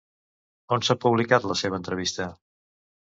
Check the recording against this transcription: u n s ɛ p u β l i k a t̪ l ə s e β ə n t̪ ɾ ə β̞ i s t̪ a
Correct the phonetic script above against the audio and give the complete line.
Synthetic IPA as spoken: o n s a p u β l i k a t̪ l ə s e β ə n t̪ ɾ ə β̞ i s t̪ ə